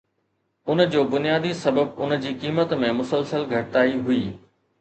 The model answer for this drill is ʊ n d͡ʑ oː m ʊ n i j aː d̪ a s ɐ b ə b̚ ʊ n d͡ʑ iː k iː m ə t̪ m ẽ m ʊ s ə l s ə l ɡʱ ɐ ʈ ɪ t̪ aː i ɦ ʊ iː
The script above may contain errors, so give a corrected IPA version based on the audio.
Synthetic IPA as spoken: ʊ n d͡ʑ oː b ʊ n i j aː d̪ i s ɐ b ə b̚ ʊ n d͡ʑ iː k iː m ə t̪ m ẽ m ʊ s ə l s ə l ɡʱ ɐ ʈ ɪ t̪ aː i ɦ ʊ iː